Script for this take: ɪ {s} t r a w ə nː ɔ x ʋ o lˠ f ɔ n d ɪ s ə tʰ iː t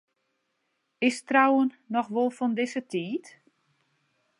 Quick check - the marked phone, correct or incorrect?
correct